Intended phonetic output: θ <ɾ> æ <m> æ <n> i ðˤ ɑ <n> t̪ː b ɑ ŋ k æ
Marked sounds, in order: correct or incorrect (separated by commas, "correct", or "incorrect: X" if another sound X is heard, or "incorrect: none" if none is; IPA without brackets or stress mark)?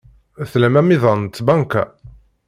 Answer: incorrect: l, correct, incorrect: m, correct